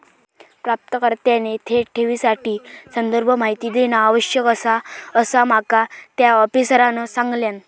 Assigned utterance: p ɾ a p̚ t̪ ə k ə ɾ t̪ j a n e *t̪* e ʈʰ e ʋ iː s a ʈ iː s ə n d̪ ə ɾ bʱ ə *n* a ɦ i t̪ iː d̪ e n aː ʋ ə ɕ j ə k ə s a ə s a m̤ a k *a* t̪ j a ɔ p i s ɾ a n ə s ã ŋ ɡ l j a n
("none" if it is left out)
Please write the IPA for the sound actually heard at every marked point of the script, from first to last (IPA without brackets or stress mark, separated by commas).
t̪ʰ, m, a